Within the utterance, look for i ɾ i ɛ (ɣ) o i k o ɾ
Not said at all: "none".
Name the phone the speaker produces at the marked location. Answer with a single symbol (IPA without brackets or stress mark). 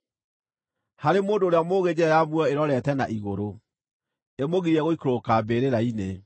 ɣ